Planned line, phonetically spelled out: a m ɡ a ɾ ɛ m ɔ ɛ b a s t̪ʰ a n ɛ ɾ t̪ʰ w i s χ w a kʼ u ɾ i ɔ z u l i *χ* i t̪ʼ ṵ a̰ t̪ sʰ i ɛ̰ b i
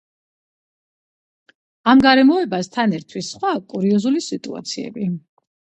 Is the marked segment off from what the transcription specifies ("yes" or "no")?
yes